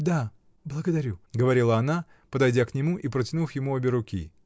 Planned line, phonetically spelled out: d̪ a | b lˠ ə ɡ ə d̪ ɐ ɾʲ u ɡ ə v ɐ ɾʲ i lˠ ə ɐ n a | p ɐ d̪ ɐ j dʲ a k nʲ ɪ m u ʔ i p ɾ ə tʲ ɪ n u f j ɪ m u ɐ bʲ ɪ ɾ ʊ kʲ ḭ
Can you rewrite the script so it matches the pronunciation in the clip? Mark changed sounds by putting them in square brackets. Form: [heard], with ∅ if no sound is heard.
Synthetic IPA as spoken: d̪ a | b lˠ ə ɡ ə d̪ ɐ ɾʲ u ɡ ə v ɐ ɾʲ i lˠ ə ɐ n a | p [ə] d̪ ɐ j dʲ a k nʲ ɪ m u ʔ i p ɾ ə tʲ ɪ n u f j ɪ m u ɐ bʲ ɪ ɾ ʊ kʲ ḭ

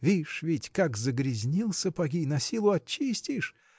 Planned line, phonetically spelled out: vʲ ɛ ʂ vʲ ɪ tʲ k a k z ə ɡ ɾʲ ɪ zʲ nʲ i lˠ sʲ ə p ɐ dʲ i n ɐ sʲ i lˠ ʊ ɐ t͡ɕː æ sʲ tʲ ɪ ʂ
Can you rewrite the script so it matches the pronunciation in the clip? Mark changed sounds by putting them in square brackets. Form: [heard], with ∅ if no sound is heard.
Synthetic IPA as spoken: vʲ [i] ʂ vʲ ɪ tʲ k a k z ə ɡ ɾʲ ɪ zʲ nʲ i lˠ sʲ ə p ɐ [ɡʲ] i n ɐ sʲ i lˠ ʊ ɐ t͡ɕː [i] sʲ tʲ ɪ ʂ

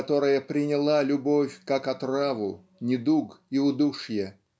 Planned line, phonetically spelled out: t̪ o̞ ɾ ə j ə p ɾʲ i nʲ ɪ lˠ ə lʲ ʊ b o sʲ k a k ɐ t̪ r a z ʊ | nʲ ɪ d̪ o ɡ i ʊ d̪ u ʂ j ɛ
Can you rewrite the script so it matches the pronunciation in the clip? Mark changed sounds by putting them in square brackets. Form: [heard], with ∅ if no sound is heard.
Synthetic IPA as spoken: t̪ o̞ ɾ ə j ə p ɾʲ [ɪ] nʲ ɪ lˠ [a] lʲ ʊ b o [fʲ] k a k ɐ t̪ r a [v] ʊ | nʲ ɪ d̪ [u] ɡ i ʊ d̪ u ʂ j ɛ

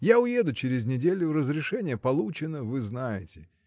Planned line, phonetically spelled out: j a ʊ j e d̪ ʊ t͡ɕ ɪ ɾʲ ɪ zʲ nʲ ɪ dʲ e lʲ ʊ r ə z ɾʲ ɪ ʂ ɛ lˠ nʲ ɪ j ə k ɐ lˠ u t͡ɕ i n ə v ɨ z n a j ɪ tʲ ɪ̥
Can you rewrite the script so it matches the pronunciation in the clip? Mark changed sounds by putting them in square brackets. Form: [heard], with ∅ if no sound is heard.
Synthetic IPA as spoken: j a ʊ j e d̪ ʊ t͡ɕ ɪ ɾʲ ɪ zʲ nʲ ɪ dʲ e lʲ ʊ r ə z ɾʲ ɪ ʂ ɛ [∅] nʲ ɪ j ə [p] ɐ lˠ u t͡ɕ [ɪ] n ə v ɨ z n a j ɪ tʲ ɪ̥

